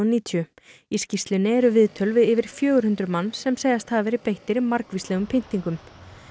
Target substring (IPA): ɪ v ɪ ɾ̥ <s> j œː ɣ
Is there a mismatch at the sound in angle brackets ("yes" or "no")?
yes